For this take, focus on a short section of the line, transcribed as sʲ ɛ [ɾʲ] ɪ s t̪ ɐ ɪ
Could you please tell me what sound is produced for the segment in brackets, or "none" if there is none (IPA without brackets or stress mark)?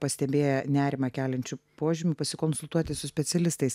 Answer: lʲ